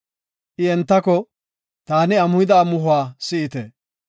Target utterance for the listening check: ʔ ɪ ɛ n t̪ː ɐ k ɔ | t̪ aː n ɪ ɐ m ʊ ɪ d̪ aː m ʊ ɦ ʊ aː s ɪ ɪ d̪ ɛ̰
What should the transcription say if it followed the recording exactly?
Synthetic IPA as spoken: ʔ ɪ ɛ n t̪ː ɐ k ɔ | t̪ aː n ɪ ɐ m ʊ ɪ d̪ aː m ʊ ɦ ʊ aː s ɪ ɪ t̪ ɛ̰